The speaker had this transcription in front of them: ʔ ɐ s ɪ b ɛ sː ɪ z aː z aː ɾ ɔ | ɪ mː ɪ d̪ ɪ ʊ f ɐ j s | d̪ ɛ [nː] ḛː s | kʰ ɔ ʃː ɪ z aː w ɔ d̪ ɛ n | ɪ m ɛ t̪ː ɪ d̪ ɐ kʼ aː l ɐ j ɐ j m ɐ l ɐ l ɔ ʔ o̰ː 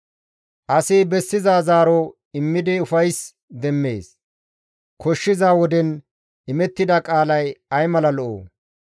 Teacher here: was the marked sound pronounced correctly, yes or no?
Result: no